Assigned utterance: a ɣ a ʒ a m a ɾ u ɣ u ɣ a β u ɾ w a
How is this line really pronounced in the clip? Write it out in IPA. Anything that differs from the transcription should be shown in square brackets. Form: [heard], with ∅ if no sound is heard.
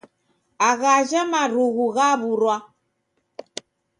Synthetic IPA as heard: a ɣ a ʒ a m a ɾ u ɣ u ɣ a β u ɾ w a

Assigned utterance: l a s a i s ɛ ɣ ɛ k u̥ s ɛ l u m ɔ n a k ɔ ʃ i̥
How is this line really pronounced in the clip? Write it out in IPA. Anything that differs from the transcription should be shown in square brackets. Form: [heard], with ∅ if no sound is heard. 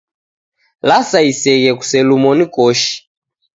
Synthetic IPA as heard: l a s a i s ɛ ɣ ɛ k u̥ s ɛ l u m ɔ n [i] k ɔ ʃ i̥

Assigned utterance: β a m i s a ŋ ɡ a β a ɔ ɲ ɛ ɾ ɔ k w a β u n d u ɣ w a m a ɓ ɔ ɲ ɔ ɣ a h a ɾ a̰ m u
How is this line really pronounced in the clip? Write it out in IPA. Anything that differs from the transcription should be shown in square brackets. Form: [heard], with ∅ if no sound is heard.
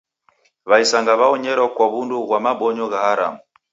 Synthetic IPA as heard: β a [∅] i s a ŋ ɡ a β a ɔ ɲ ɛ ɾ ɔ k w a β u n d u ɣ w a m a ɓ ɔ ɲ ɔ ɣ a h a ɾ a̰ m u

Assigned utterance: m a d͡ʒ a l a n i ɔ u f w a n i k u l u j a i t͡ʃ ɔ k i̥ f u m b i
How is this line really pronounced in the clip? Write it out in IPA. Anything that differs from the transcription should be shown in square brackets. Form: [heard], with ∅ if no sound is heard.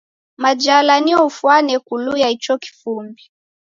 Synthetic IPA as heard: m a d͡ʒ a l a n i ɔ u f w a n [ɛ] k u l u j a i t͡ʃ ɔ k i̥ f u m b i

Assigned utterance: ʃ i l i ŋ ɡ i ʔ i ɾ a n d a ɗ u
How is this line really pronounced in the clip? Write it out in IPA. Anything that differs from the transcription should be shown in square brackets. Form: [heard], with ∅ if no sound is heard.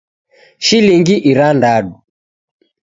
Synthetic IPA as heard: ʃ i l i ŋ ɡ i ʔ i ɾ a n d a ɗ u

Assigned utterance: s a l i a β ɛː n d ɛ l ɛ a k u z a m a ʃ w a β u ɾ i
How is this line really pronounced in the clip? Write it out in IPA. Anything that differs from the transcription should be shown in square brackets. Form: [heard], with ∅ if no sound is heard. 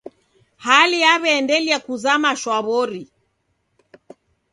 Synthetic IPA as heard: [h] a l i a β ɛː n d ɛ l [i] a k u z a m a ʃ w a β [ɔ] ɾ i

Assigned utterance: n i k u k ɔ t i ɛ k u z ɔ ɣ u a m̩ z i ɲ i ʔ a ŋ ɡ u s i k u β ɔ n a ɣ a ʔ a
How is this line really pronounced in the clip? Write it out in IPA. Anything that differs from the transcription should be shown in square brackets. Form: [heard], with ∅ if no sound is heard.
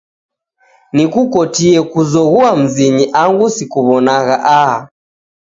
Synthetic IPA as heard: n i k u k ɔ t i ɛ k u z ɔ ɣ u a m̩ z i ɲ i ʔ a ŋ ɡ u s i k u β ɔ n a ɣ a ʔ a

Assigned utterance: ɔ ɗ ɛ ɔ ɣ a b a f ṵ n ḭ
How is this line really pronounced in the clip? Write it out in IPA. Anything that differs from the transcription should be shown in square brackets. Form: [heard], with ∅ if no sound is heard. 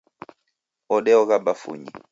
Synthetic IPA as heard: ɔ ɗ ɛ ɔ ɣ a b a f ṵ [ɲ] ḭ

